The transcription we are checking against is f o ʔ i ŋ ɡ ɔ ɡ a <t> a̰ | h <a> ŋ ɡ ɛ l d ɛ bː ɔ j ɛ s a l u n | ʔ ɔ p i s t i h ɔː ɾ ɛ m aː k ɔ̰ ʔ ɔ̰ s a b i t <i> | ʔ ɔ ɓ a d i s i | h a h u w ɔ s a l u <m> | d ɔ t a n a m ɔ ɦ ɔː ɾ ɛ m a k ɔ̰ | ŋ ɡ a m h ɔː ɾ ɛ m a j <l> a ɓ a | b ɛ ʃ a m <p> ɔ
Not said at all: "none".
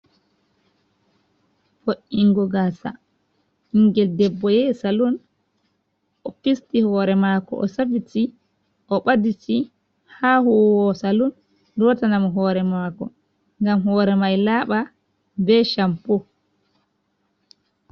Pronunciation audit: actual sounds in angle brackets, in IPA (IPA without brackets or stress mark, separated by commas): s, i, i, n, l, p